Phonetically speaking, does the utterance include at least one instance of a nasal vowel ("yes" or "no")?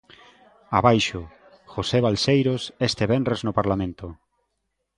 yes